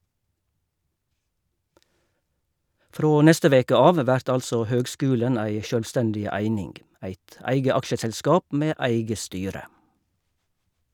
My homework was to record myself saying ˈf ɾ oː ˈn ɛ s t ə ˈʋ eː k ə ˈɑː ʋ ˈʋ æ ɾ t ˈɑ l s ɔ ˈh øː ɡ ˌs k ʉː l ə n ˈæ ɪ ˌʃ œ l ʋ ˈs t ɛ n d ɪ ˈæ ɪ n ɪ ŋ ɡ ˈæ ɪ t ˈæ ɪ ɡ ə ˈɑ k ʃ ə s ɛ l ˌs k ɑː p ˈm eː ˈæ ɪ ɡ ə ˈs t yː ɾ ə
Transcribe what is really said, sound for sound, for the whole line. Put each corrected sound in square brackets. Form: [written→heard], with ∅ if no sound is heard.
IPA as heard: ˈf ɾ oː ˈn ɛ s t ə ˈʋ eː k ə ˈɑː ʋ ˈʋ æ ɾ t ˈɑ l s ɔ ˈh øː ɡ ˌs k ʉː l ə n ˈæ ɪ ˌʃ œ l ʋ ˈs t ɛ n d ɪ ˈæ ɪ n ɪ ŋ ɡ ˈæ ɪ t ˈæ ɪ ɡ ə ˈɑ k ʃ ə s ɛ l ˌs k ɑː p ˈm eː ˈæ ɪ ɡ ə ˈs t yː ɾ ə